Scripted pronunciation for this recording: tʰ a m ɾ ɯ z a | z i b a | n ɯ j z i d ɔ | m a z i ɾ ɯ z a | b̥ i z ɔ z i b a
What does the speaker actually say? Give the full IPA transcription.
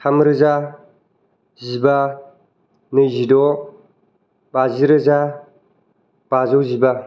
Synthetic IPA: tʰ a m ɾ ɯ z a | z i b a | n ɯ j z i d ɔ | b a z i ɾ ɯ z a | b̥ a z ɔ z i b a